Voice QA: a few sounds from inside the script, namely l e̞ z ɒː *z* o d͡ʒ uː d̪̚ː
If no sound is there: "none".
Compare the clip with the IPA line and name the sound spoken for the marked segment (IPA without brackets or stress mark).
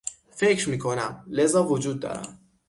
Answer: v